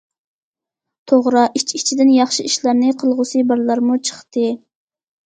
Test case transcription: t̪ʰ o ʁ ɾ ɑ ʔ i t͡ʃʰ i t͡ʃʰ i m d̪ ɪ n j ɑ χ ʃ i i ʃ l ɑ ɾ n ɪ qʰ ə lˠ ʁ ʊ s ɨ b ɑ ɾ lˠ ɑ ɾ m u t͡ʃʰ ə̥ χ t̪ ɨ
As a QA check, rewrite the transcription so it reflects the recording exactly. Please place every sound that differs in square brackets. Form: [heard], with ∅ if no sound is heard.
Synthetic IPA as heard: t̪ʰ o ʁ ɾ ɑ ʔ i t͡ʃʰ i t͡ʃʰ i [∅] d̪ ɪ n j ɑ χ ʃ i i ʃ l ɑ ɾ n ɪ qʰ ə lˠ ʁ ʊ s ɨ b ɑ ɾ lˠ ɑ ɾ m u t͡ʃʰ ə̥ χ t̪ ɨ